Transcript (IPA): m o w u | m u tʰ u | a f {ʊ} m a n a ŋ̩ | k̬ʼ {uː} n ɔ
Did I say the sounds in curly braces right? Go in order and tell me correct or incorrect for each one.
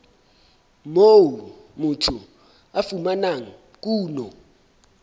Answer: incorrect, correct

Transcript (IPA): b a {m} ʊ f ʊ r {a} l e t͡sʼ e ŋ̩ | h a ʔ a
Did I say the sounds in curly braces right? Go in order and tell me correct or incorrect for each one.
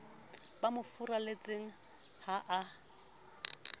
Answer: correct, correct

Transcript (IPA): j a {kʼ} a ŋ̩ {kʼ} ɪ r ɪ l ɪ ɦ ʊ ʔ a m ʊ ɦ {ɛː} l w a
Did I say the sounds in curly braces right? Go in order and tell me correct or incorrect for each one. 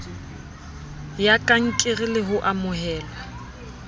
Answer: correct, correct, correct

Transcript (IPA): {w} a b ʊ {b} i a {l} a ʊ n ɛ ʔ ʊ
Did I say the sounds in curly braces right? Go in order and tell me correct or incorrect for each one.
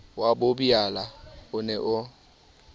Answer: correct, correct, correct

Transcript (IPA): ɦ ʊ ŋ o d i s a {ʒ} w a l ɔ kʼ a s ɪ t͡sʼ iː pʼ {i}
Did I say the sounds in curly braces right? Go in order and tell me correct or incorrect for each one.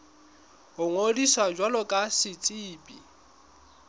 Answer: incorrect, correct

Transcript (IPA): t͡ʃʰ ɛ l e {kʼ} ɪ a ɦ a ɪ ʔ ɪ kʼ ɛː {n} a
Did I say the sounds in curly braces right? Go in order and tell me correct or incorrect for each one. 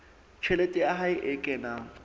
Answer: incorrect, correct

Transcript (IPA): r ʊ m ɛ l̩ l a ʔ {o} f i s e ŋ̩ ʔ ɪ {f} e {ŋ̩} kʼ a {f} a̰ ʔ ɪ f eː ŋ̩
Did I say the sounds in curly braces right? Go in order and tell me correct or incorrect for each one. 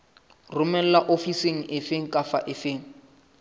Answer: correct, correct, correct, correct

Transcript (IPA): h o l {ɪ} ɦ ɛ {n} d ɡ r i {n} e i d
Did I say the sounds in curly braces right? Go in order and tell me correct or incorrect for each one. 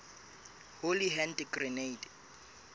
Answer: incorrect, correct, correct

